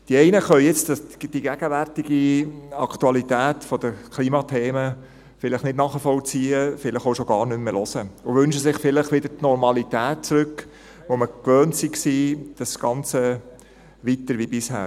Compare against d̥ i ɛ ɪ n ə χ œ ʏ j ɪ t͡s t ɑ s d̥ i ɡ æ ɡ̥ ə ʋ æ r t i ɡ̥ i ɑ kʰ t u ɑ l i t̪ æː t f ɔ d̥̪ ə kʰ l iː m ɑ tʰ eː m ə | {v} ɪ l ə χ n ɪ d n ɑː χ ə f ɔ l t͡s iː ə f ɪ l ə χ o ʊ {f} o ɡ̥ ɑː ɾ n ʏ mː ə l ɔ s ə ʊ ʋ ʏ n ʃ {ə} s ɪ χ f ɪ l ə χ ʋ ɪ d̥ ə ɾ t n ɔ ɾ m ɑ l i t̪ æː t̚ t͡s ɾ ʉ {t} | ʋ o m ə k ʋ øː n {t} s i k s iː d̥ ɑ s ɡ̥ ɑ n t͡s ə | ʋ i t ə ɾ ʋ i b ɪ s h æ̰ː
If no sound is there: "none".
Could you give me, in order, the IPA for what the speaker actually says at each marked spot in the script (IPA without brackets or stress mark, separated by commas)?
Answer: f, ʃ, ə, k, t